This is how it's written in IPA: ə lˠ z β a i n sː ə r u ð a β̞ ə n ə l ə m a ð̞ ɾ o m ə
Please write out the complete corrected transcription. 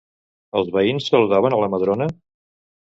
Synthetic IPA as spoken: ə lˠ z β ə i n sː ə l u ð a β̞ ə n ə l ə m ə ð̞ ɾ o n ə